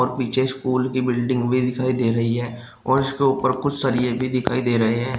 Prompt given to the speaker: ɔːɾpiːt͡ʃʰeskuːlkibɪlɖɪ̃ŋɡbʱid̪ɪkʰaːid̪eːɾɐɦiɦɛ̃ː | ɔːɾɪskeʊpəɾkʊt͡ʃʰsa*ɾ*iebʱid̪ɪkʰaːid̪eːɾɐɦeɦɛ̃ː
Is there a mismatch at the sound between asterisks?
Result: no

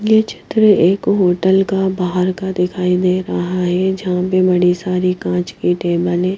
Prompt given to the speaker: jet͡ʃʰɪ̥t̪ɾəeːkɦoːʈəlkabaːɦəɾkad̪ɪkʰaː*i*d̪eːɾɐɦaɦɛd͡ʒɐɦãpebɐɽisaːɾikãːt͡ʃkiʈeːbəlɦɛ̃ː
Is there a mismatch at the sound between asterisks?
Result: no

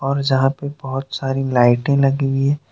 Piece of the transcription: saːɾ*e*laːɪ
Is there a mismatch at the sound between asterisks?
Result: yes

